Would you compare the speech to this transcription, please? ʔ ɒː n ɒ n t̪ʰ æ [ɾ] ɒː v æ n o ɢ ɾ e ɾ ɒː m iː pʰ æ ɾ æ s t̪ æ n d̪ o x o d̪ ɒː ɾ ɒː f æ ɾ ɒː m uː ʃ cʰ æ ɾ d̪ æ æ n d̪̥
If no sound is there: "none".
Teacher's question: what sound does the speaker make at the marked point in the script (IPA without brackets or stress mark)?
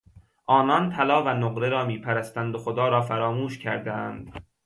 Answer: l